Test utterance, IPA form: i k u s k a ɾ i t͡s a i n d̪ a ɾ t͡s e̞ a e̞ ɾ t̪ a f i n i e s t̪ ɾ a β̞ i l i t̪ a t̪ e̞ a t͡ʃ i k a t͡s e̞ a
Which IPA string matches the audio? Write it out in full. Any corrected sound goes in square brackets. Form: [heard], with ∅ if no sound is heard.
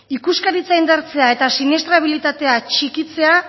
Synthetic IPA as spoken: i k u s k a ɾ i t͡s a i n d̪ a ɾ t͡s e̞ a e̞ [∅] t̪ a [s] i n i e s t̪ ɾ a β̞ i l i t̪ a t̪ e̞ a t͡ʃ i k [i] t͡s e̞ a